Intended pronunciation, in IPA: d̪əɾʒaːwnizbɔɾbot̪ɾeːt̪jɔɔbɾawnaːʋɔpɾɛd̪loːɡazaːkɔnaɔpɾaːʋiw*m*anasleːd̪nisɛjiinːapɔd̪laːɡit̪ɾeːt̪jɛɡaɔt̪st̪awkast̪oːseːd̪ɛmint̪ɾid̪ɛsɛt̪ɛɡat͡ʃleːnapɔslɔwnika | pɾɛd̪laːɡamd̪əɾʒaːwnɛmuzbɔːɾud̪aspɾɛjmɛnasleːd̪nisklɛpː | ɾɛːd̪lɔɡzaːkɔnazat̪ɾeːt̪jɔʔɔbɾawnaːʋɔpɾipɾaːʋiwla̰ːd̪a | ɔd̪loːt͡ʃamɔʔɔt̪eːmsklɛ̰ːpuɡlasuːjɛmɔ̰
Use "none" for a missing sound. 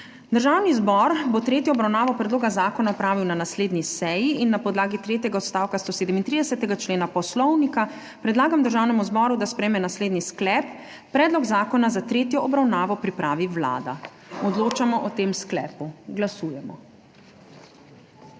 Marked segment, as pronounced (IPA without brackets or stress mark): n